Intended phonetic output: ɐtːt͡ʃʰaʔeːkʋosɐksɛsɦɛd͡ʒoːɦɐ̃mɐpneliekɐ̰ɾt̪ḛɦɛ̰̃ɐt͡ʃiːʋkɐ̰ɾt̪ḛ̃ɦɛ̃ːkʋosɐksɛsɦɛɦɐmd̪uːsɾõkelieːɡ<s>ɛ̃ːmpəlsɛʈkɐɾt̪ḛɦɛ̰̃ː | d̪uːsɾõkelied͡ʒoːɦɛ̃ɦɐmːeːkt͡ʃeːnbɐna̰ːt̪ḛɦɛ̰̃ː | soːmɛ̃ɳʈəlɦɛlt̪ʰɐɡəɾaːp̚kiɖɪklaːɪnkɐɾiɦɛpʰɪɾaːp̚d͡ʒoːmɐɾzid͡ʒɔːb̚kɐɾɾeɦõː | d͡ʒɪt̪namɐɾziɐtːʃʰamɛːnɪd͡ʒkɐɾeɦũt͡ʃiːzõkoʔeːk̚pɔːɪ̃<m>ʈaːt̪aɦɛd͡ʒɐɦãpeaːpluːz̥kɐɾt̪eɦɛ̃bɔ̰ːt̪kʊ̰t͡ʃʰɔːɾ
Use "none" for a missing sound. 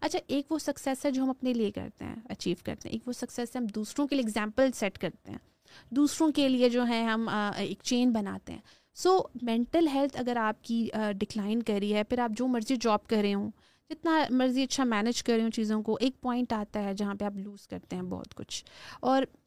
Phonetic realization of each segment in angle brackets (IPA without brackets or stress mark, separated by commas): z, ɳ